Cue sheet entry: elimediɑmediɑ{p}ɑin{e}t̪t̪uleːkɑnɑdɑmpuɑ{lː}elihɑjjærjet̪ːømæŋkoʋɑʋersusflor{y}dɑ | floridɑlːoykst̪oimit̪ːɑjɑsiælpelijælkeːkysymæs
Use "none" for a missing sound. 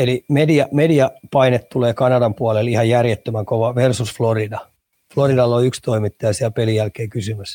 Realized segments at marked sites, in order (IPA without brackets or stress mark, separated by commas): p, e, l, i